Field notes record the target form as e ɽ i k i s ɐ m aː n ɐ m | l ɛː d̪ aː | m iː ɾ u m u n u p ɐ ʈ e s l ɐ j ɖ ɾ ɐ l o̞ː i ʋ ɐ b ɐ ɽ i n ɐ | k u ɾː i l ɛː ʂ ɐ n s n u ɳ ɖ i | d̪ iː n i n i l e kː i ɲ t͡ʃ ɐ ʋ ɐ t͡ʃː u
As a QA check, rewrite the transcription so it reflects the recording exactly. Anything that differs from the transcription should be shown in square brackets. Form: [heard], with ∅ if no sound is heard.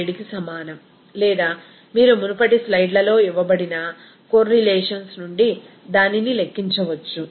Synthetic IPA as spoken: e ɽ i k i s ɐ m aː n ɐ m | l ɛː d̪ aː | m iː ɾ u m u n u p ɐ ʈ [i] s l ɐ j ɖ [l] ɐ l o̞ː i ʋ ɐ b ɐ ɽ i n ɐ | k [o] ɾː i l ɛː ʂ ɐ n s n u ɳ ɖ i | d̪ [aː] n i n i l e kː i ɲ t͡ʃ ɐ ʋ ɐ t͡ʃː u